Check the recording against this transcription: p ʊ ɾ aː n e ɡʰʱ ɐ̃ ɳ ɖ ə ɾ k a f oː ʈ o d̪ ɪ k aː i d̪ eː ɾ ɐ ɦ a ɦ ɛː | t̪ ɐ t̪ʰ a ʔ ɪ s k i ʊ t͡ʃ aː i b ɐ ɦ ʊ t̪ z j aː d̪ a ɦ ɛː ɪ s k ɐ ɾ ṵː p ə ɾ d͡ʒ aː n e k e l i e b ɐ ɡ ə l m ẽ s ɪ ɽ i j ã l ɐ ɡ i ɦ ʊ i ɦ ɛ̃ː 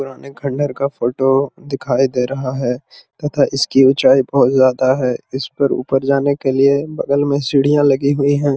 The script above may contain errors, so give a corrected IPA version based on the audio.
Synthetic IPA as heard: p ʊ ɾ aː n e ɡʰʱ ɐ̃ ɳ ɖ ə ɾ k a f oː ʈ o d̪ ɪ kʰ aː i d̪ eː ɾ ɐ ɦ a ɦ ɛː | t̪ ɐ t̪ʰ a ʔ ɪ s k i ʊ t͡ʃ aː i b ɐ ɦ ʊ t̪ z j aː d̪ a ɦ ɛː ɪ s p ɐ ɾ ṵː p ə ɾ d͡ʒ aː n e k e l i e b ɐ ɡ ə l m ẽ s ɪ ɽ i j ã l ɐ ɡ i ɦ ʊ i ɦ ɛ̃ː